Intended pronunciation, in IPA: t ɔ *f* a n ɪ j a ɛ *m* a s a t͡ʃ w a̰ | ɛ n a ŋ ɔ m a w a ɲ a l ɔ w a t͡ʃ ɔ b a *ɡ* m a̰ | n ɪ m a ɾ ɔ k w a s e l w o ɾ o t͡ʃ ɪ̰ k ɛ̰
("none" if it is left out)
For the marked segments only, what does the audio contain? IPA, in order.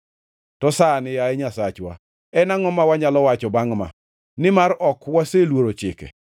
s, ɲ, ŋ

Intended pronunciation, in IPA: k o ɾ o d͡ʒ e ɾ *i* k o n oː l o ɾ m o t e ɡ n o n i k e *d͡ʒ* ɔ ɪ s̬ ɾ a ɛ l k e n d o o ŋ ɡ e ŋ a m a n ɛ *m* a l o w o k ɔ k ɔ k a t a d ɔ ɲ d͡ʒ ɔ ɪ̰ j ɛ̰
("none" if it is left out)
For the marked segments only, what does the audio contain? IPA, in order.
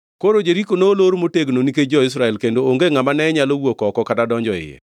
i, d͡ʒ, ɲ

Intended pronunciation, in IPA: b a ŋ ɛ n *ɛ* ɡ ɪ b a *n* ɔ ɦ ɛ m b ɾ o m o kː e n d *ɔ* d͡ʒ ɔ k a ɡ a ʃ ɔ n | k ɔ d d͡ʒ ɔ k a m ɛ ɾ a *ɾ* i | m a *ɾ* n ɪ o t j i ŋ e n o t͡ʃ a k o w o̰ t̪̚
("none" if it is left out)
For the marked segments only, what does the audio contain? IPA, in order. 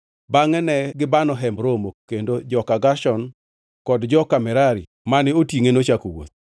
ɛ, n, o, ɾ, none

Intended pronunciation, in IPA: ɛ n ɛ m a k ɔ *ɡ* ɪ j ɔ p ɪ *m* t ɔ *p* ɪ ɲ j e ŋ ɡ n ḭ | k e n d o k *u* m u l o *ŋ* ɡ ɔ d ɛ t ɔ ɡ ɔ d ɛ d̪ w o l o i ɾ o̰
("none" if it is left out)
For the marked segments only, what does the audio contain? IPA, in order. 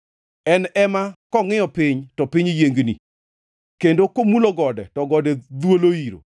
ŋ, ɲ, p, o, none

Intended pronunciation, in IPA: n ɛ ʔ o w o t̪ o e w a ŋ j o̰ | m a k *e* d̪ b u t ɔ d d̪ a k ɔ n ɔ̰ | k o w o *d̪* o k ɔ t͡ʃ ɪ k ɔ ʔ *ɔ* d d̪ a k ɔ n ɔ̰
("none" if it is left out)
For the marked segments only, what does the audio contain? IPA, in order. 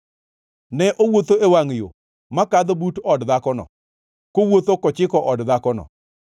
a, t̪, ɔ

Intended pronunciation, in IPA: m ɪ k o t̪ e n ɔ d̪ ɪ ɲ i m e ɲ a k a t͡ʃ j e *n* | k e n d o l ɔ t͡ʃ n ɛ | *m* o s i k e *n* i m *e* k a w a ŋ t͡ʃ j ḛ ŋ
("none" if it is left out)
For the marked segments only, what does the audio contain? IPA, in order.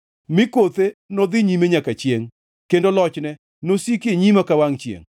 ŋ, n, ɲ, a

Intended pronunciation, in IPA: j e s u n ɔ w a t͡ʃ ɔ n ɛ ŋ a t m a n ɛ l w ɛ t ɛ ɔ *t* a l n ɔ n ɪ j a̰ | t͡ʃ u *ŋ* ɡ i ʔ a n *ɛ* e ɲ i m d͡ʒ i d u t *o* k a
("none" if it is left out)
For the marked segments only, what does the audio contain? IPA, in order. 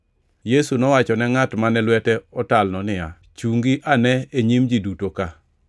t, ŋ, ɛ, o

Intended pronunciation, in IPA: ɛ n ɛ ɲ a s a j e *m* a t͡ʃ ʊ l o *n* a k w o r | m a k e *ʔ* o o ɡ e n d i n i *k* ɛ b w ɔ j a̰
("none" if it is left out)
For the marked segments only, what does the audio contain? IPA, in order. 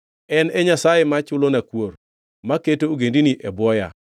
m, n, t, ʔ

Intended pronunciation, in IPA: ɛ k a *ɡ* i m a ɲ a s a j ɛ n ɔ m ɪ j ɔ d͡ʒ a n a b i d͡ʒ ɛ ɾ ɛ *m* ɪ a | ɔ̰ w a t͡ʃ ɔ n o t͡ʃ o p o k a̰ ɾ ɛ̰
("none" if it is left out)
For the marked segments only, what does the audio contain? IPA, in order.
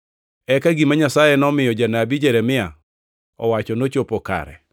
ɡ, m

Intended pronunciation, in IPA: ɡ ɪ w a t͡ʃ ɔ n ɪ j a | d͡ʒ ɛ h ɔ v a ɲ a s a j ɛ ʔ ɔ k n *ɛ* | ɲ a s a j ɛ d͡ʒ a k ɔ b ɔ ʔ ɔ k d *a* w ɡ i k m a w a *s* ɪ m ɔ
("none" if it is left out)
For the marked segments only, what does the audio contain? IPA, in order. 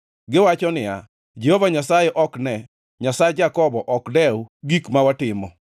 ɛ, ɛ, t

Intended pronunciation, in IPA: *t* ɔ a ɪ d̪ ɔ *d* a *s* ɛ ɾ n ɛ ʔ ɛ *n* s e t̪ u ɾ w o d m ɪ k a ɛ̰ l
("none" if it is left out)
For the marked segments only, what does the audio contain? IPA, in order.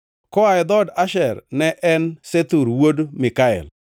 k, d, ʃ, n

